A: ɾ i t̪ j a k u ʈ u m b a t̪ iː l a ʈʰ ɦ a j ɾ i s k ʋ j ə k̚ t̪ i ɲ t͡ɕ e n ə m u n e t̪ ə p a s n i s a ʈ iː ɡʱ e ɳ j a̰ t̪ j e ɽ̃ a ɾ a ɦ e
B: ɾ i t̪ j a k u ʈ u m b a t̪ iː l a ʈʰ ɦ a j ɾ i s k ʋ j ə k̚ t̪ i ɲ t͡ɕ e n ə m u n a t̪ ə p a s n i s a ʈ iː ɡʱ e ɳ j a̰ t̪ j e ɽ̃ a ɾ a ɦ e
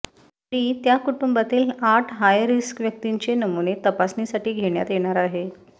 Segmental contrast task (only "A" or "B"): A